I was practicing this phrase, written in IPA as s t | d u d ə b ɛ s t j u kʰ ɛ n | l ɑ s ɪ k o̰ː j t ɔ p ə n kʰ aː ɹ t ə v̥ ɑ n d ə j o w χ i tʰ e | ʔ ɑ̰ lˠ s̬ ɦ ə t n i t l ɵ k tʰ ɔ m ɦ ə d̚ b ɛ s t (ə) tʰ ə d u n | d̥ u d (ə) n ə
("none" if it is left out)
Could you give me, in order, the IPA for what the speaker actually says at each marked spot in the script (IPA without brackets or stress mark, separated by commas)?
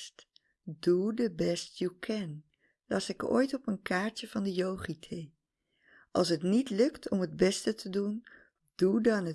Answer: ə, ɑ